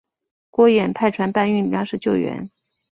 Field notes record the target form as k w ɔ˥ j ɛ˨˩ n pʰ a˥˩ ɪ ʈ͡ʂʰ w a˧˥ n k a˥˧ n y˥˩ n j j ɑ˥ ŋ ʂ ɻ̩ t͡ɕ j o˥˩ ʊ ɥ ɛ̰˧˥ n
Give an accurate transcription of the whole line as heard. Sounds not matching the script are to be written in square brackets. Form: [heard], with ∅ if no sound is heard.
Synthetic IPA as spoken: k w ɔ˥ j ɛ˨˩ n pʰ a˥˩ ɪ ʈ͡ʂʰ w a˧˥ n [p] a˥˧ n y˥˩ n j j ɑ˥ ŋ ʂ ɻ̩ t͡ɕ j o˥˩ ʊ ɥ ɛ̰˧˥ n